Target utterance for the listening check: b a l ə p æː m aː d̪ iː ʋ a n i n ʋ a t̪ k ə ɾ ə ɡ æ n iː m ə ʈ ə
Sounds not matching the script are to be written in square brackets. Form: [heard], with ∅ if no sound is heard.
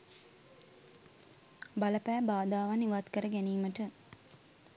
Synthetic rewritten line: b a l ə p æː [b] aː d̪ [aː] ʋ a n i [∅] ʋ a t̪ k ə ɾ ə ɡ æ n iː m ə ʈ ə

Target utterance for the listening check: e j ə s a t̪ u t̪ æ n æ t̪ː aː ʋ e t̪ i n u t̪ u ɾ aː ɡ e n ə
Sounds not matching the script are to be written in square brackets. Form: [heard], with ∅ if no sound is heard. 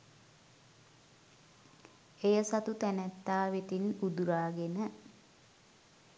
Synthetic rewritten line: e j ə s a t̪ u t̪ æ n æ t̪ː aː ʋ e t̪ i n u [d̪] u ɾ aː ɡ e n ə

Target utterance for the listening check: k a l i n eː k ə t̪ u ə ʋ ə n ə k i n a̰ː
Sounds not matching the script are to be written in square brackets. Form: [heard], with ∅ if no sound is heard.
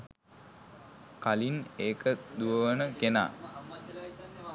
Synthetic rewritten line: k a l i n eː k ə [d̪] u ə ʋ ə n ə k [e] n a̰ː

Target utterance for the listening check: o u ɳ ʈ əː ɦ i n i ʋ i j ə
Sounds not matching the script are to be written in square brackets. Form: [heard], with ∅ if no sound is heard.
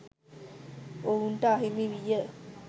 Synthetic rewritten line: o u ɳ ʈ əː ɦ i [m] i ʋ i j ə

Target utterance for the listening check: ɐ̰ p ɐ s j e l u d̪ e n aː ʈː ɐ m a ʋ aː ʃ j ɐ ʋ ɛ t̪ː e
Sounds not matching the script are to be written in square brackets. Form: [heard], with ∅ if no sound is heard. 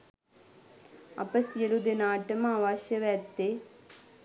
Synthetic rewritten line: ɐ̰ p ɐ s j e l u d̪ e n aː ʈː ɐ m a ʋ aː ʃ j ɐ ʋ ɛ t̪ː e

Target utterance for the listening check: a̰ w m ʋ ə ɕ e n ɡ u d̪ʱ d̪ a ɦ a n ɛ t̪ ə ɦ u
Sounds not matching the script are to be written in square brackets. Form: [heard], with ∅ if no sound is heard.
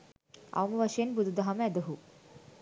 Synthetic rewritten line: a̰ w m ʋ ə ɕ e n [b] u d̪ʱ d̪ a ɦ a [m] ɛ [d̪] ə ɦ u

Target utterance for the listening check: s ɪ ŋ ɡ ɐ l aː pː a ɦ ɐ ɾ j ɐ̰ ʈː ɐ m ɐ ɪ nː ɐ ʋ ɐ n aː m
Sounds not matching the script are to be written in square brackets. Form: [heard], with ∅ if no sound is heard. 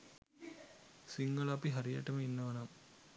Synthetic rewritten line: s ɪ ŋ ɡ ɐ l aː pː [i] ɦ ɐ ɾ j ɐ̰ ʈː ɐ m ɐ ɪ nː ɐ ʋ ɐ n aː m

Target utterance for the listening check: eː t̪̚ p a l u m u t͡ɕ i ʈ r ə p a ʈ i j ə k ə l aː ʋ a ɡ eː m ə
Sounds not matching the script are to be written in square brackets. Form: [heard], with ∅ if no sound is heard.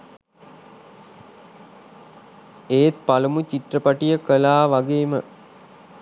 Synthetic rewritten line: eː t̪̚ p a l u m u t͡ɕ i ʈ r ə p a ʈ i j ə k ə l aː ʋ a ɡ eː m ə

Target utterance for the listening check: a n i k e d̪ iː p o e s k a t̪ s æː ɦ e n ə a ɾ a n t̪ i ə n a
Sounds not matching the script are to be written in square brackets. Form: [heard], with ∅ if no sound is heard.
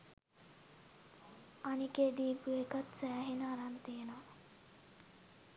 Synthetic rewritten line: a n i k e d̪ iː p [u] e [∅] k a t̪ s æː ɦ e n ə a ɾ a n t̪ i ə n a

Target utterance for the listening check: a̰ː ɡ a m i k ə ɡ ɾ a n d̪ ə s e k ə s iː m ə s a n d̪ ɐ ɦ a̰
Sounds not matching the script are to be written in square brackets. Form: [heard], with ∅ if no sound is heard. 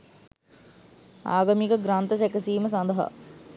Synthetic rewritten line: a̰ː ɡ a m i k ə ɡ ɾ a n [t̪] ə s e k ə s iː m ə s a n d̪ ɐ ɦ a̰

